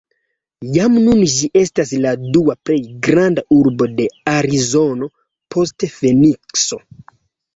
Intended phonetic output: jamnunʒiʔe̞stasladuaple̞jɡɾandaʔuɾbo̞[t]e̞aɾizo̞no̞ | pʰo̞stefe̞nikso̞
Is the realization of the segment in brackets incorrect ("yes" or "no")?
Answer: yes